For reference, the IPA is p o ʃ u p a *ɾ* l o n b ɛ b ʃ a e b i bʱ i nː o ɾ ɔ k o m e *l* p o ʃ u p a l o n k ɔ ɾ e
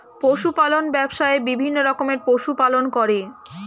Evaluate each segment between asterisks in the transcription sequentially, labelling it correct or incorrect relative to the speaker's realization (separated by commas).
incorrect, incorrect